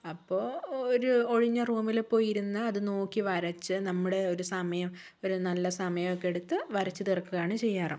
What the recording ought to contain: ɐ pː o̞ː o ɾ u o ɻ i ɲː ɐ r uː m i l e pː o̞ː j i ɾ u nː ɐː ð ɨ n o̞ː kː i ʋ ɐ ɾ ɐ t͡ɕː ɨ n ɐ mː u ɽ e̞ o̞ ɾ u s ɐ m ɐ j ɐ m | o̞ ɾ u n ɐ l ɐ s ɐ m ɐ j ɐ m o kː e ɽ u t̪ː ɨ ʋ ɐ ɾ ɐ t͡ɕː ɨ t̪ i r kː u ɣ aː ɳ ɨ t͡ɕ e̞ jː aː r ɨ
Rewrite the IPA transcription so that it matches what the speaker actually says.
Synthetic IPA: ɐ pː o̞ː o ɾ u o ɻ i ɲː ɐ r uː m i l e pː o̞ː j i ɾ u nː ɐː ð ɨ n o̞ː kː i ʋ ɐ ɾ ɐ t͡ɕː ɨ n ɐ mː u ɽ e̞ o̞ ɾ u s ɐ m ɐ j ɐ m | o̞ ɾ u n ɐ lː ɐ s ɐ m ɐ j ɐ m o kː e ɽ u t̪ː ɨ ʋ ɐ ɾ ɐ t͡ɕː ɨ t̪ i r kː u ɣ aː ɳ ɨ t͡ɕ e̞ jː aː r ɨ